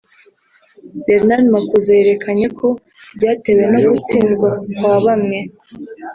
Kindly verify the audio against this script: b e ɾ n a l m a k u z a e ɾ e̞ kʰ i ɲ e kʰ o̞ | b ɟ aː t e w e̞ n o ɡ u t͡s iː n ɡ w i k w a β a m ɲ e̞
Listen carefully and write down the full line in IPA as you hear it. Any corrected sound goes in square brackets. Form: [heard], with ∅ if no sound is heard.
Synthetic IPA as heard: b e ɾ n a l m a k u z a e ɾ e̞ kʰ [a] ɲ e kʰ o̞ | b ɟ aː t e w e̞ n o ɡ u t͡s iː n ɡ w [a] k w a β a m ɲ e̞